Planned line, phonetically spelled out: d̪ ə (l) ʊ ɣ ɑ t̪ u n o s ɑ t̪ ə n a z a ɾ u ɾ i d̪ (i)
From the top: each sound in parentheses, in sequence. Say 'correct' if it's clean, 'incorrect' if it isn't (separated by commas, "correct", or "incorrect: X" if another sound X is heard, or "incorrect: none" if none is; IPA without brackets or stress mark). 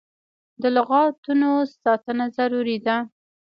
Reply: correct, incorrect: a